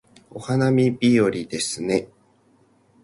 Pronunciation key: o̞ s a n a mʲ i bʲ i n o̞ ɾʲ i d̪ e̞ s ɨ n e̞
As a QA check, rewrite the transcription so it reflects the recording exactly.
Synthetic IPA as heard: o̞ h a n a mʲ i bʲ i o̞ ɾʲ i d̪ e̞ s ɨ n e̞